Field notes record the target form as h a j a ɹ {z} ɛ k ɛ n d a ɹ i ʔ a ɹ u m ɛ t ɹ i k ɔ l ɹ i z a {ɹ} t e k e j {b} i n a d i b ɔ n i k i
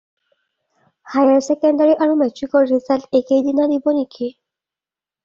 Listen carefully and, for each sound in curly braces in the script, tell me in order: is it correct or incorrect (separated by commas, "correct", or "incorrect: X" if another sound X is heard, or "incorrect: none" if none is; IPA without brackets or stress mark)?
incorrect: s, incorrect: l, incorrect: d